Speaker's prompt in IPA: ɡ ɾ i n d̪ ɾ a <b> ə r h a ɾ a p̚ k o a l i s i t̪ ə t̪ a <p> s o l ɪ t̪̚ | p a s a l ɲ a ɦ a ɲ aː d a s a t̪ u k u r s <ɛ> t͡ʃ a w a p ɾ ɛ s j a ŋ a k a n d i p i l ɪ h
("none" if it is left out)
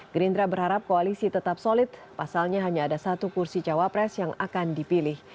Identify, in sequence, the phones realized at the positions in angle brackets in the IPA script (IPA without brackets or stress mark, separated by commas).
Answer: b, p, i